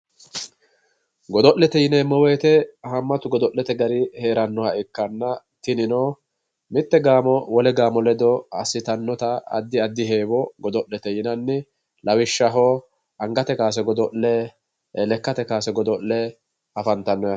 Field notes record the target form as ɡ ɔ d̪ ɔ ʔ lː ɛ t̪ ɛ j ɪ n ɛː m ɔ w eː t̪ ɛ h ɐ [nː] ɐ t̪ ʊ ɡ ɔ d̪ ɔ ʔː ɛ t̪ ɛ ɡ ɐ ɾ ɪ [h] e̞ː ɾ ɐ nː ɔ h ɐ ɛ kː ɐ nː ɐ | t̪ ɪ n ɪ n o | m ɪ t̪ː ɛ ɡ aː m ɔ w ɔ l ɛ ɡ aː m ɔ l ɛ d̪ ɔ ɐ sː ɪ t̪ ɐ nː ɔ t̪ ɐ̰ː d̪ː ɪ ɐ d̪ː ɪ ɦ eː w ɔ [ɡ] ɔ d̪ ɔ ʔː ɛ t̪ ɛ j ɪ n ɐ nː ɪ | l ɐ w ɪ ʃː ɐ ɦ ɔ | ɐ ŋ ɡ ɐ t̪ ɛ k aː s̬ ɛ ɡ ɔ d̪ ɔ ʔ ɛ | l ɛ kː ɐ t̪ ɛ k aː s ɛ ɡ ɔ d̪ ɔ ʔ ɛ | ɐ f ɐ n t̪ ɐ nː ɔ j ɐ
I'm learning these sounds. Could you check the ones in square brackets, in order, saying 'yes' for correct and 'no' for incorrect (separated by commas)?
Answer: no, yes, yes